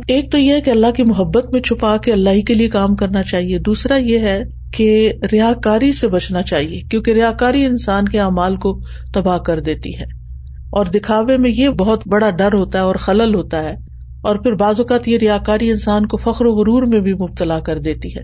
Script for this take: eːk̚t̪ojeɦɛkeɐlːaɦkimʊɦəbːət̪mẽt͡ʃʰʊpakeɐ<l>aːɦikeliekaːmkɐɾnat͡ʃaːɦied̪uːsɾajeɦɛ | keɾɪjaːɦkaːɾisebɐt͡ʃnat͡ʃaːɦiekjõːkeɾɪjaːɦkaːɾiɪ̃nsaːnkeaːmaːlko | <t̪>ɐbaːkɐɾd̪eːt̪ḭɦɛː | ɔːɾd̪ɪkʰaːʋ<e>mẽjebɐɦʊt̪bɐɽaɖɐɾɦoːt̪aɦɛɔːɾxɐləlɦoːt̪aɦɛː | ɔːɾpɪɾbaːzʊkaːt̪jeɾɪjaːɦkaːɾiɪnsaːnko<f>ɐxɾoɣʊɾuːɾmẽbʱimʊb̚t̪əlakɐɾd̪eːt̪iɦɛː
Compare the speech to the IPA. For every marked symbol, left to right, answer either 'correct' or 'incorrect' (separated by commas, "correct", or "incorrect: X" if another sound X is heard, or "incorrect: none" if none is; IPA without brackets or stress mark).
incorrect: lː, correct, correct, correct